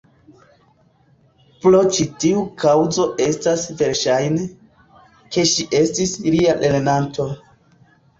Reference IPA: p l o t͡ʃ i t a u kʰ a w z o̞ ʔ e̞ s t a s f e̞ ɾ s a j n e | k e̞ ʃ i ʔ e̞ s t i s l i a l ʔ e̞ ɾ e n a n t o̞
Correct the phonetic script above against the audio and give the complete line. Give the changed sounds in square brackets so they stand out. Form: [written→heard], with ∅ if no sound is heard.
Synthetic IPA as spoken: p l o t͡ʃ i t [a→i] u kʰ a w z o̞ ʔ e̞ s t a s [f→v] e̞ ɾ [s→ʃ] a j n e | k e̞ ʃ i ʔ e̞ s t i s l i a l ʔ e̞ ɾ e n a n t o̞